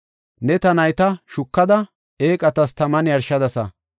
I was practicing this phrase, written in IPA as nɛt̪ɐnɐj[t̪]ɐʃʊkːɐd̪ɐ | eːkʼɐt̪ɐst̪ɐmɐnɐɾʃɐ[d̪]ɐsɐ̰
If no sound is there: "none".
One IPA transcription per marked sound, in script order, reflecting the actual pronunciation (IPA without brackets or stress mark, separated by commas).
t̪, d̪